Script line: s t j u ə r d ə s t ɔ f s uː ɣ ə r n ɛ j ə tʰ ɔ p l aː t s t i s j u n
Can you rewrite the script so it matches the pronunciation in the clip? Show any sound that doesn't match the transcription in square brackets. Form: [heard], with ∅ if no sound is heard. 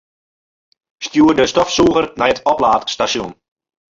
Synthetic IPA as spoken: s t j u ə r d ə s t ɔ f s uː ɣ ə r n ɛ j ə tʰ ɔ p l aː t s t [a] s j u n